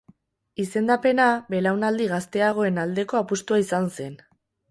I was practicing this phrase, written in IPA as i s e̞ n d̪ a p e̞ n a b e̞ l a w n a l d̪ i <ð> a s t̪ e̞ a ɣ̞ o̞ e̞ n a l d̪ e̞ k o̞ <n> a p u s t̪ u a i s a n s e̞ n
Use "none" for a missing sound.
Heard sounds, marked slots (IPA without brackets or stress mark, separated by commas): ɣ, none